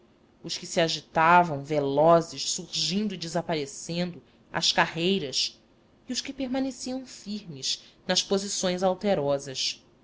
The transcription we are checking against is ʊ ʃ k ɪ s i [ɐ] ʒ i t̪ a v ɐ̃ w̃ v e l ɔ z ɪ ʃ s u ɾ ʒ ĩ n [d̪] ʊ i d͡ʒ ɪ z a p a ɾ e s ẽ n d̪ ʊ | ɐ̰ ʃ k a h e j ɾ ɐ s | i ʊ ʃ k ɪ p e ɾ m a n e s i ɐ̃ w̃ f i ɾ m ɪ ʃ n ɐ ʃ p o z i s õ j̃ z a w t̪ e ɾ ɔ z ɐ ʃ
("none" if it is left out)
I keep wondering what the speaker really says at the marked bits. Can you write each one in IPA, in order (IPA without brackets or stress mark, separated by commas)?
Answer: a, d̪